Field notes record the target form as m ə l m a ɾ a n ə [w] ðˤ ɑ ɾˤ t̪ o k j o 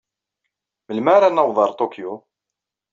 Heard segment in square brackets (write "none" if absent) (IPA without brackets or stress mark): w